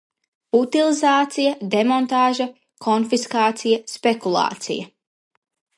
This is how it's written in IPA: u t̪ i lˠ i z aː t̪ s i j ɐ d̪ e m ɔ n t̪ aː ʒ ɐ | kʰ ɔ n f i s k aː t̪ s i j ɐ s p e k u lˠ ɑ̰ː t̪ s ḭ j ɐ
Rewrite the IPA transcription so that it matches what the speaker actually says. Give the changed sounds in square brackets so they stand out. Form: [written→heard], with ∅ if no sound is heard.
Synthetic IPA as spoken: u t̪ i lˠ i z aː t̪ s i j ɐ d̪ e m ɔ n t̪ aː ʒ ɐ | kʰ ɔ n f i s k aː t̪ s i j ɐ s p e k u lˠ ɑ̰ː t̪ s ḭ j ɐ

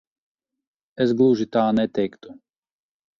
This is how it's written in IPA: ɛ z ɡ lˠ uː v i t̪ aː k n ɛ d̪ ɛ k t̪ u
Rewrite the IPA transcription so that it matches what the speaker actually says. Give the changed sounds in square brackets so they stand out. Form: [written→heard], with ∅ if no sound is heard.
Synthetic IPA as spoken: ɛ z ɡ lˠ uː [v→ʒ] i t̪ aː [k→∅] n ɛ [d̪→t̪] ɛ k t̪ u

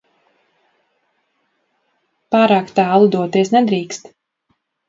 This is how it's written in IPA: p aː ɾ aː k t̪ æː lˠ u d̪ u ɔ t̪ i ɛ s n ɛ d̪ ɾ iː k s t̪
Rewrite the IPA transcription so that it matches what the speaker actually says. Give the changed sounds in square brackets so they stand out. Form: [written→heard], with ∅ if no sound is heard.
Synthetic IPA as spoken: p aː ɾ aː k t̪ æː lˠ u d̪ u ɔ t̪ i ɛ s n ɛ d̪ ɾ iː k s t̪

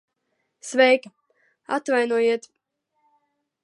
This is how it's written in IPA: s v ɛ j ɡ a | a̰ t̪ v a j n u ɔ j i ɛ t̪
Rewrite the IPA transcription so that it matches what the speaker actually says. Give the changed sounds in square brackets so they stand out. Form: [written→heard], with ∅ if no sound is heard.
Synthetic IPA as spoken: s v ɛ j [ɡ→k] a | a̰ t̪ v a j n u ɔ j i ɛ t̪

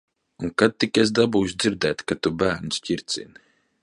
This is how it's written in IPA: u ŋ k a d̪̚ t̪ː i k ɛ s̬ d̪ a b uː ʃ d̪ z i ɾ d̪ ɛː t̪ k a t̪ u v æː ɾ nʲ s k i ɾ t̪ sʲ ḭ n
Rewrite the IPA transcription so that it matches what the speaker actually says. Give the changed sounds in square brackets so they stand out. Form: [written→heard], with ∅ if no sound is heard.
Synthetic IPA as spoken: u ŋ k a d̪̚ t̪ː i k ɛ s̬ d̪ a b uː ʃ d̪ z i ɾ d̪ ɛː t̪ k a t̪ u [v→b] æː ɾ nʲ s [k→c] i ɾ t̪ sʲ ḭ n

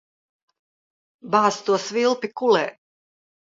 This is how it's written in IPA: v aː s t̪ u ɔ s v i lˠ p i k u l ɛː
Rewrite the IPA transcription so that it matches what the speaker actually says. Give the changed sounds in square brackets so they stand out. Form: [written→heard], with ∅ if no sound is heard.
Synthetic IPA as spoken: [v→b] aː s t̪ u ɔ s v i lˠ p i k u l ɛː

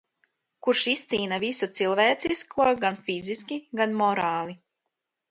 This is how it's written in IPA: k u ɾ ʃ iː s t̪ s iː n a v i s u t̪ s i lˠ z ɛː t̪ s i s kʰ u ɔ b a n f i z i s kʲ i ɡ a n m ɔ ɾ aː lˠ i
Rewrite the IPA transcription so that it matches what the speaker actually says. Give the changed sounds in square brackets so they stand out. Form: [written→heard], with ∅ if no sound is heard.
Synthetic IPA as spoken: k u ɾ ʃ [iː→i] s t̪ s iː n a v i s u t̪ s i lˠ [z→v] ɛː t̪ s i s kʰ u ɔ [b→ɡ] a n f i z i s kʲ i ɡ a n m ɔ ɾ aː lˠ i

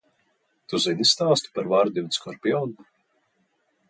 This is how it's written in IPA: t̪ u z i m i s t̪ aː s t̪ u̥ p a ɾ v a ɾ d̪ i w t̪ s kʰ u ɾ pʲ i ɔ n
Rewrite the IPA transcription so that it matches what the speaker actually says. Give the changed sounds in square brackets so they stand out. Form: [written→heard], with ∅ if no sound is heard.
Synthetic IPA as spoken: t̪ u z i [m→n] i s t̪ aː s t̪ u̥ p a ɾ v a ɾ d̪ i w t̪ s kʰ [u→ɔ] ɾ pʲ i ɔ n

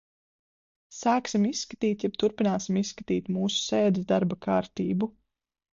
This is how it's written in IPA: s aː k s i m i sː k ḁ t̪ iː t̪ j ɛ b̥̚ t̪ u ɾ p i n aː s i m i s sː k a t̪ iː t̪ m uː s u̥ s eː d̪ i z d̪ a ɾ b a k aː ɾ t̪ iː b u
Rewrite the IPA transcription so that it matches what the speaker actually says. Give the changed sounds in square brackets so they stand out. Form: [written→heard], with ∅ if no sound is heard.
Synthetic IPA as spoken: s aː k s i m i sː k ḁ t̪ iː t̪ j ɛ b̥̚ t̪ u ɾ p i n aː s i m i s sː k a t̪ iː t̪ m uː s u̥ s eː d̪ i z d̪ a ɾ b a k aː ɾ t̪ iː b u

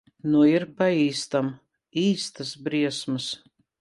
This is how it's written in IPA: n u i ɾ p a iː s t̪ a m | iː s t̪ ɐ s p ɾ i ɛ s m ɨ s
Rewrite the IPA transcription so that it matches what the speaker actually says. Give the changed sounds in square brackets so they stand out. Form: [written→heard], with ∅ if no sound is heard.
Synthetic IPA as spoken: n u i ɾ p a iː s t̪ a m | iː s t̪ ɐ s [p→b] ɾ i ɛ s m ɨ s

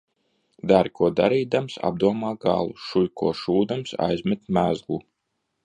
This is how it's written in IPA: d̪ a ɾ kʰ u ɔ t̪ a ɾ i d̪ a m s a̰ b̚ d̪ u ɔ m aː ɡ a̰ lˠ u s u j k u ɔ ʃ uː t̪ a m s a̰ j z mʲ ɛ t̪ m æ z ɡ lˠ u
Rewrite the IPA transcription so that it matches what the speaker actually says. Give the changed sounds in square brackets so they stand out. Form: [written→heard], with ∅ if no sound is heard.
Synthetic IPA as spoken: d̪ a ɾ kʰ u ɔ [t̪→d̪] a ɾ [i→iː] d̪ a m s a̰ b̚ d̪ u ɔ m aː ɡ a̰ lˠ u [s→ʃ] u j k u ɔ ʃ uː [t̪→d̪] a m s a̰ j z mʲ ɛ t̪ m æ z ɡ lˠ u

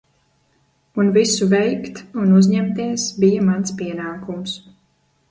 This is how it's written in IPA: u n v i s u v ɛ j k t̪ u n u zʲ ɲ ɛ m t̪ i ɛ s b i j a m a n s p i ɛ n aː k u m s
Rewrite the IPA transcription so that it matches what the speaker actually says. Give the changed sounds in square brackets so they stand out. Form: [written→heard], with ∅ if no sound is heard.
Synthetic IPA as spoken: u n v i s u v ɛ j k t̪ u n u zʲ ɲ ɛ m t̪ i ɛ s b i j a m a n s p i ɛ n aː k u m s

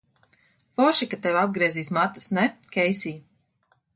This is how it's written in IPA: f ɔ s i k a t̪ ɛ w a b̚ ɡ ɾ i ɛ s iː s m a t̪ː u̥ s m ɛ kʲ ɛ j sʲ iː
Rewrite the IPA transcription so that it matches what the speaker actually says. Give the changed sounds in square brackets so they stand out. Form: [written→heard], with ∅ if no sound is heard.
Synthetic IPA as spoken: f ɔ [s→ʃ] i k a t̪ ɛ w a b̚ ɡ ɾ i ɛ [s→z] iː s m a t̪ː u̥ s [m→n] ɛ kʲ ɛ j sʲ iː

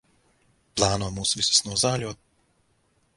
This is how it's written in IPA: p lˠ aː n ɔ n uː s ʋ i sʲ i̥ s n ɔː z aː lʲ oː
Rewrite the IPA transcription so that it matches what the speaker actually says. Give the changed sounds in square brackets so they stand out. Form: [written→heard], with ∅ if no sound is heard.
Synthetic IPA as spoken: p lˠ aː n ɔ [n→m] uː s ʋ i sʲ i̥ s n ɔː z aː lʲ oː

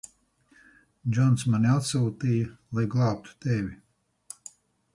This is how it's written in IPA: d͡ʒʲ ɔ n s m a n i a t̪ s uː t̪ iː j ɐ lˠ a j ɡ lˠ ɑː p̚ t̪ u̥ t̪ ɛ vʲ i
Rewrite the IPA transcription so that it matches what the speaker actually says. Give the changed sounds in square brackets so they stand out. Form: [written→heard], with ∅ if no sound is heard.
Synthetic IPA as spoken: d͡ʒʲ ɔ n s m a n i a t̪ s uː t̪ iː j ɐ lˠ a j ɡ lˠ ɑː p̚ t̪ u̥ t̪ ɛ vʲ i

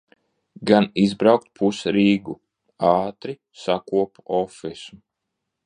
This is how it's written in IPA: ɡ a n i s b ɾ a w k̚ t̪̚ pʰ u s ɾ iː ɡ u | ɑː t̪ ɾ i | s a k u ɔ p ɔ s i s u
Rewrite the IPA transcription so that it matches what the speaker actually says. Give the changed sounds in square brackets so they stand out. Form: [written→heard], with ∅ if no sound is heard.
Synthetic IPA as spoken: ɡ a n i [s→z] b ɾ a w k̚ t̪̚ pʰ u s ɾ iː ɡ u | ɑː t̪ ɾ i | s a k u ɔ p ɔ [s→f] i s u

